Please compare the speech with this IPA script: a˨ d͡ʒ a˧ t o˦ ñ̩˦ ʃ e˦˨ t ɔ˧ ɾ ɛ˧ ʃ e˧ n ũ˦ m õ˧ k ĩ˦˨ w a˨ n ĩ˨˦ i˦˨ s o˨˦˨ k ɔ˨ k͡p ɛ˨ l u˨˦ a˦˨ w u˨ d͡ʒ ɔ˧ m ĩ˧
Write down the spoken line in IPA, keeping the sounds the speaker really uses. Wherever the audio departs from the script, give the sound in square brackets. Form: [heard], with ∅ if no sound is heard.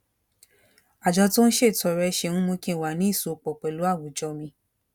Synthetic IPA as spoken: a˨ d͡ʒ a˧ t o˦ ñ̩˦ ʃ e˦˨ t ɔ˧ ɾ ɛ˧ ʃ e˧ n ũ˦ m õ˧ k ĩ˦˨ w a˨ n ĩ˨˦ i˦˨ s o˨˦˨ [k͡p] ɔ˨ k͡p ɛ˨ l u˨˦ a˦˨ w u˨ d͡ʒ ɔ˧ m ĩ˧